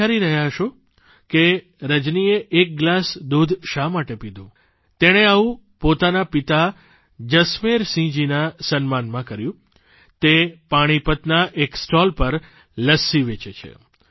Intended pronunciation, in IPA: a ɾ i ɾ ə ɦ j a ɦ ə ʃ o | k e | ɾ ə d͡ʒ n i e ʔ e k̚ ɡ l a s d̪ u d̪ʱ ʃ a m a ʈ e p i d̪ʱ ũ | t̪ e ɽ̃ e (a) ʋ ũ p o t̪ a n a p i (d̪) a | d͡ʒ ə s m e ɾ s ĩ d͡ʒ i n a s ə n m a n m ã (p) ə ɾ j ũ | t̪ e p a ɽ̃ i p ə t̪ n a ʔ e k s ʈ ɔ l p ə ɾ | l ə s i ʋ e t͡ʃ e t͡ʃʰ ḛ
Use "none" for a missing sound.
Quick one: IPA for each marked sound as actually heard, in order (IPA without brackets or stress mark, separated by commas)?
a, t̪, k